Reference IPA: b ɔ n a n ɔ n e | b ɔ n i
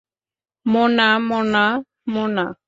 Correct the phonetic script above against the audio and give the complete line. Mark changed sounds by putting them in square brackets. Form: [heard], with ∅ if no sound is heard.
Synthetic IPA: [m] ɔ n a [m] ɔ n [a] | [m] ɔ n [a]